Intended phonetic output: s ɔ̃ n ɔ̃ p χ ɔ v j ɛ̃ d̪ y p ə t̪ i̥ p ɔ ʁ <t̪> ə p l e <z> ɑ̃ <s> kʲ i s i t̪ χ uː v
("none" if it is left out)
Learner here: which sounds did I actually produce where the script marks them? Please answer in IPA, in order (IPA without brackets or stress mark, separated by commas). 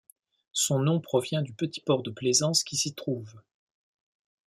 d̪, z, s